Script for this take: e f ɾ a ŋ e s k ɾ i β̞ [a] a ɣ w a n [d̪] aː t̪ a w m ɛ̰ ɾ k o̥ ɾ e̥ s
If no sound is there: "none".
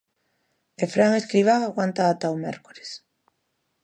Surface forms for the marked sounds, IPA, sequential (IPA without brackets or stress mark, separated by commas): a, t̪